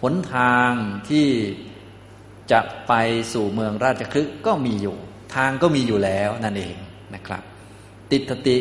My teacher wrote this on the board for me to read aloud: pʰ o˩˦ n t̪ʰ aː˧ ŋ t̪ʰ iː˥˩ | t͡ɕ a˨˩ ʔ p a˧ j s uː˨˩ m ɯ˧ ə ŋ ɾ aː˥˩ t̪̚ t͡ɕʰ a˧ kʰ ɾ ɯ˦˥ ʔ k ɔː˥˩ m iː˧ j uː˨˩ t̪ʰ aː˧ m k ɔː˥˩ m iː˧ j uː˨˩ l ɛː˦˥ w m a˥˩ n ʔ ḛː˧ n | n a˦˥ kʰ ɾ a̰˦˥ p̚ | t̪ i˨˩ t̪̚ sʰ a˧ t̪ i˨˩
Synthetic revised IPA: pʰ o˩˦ n t̪ʰ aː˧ ŋ t̪ʰ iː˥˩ | t͡ɕ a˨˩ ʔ p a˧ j s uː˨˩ m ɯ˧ ə ŋ ɾ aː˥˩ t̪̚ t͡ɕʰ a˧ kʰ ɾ ɯ˦˥ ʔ k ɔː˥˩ m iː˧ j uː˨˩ t̪ʰ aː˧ ŋ k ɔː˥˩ m iː˧ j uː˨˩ l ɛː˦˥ w n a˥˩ n ʔ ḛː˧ ŋ | n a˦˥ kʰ ɾ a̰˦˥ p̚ | t̪ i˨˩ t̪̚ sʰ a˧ t̪ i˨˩